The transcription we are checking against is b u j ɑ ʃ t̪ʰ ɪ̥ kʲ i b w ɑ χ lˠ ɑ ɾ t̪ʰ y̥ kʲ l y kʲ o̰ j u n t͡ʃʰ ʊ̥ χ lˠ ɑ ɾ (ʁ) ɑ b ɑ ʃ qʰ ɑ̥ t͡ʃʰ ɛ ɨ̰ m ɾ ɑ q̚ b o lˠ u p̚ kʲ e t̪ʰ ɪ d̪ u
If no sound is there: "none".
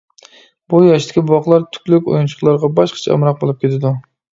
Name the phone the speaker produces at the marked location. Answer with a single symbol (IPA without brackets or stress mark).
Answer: ʁ